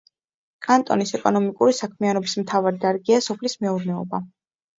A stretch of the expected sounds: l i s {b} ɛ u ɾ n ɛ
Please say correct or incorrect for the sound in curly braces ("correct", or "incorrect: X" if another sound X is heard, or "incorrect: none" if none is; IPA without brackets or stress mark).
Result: incorrect: m